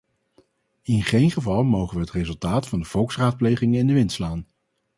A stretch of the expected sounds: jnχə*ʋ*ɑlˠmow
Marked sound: incorrect: v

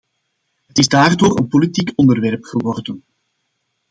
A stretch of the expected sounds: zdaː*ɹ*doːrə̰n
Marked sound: incorrect: r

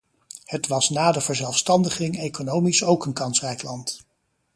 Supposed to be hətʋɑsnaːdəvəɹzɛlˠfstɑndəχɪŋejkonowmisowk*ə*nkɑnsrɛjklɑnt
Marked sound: correct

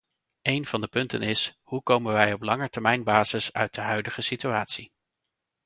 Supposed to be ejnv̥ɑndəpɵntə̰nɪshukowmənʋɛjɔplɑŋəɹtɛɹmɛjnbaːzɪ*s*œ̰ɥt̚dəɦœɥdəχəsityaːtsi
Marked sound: correct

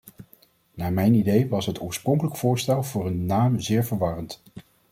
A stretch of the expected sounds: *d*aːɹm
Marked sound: incorrect: n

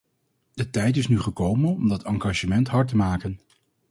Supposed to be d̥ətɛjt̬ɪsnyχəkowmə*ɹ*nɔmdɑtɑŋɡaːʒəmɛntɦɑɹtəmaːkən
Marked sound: incorrect: none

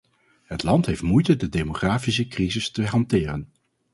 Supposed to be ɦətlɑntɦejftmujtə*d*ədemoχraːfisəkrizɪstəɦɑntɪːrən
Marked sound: correct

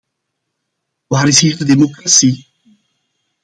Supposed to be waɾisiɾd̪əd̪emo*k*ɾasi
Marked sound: correct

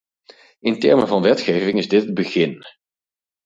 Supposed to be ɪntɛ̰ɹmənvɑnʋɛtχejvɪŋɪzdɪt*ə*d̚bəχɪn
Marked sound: correct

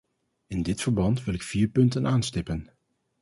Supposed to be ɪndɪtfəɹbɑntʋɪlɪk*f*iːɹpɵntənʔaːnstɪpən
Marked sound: correct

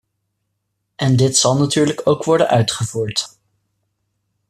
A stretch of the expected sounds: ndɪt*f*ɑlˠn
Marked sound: incorrect: s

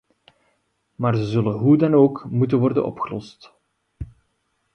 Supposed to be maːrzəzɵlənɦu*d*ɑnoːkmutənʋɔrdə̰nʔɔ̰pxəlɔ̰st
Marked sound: correct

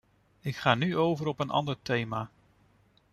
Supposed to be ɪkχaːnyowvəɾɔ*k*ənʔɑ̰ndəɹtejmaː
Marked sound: incorrect: p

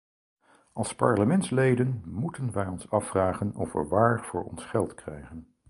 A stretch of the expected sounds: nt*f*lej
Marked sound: incorrect: s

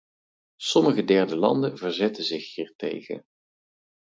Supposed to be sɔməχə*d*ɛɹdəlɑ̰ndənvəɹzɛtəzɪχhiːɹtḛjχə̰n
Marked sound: correct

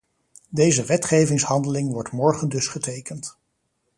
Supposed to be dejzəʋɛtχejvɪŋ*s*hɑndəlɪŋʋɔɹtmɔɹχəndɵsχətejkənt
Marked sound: correct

